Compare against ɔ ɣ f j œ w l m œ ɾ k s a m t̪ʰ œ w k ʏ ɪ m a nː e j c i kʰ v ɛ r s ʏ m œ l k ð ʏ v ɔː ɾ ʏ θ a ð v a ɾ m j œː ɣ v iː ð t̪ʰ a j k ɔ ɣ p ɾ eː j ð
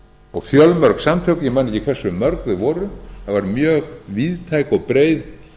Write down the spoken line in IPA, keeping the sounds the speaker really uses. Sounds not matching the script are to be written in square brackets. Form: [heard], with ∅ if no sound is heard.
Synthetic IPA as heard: ɔ ɣ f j œ [∅] l m œ ɾ k s a m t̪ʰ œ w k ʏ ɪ m a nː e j c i kʰ v ɛ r s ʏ m œ [ɾ] k ð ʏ v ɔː ɾ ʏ θ a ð v a ɾ m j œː ɣ v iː ð t̪ʰ a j k ɔ ɣ p ɾ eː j ð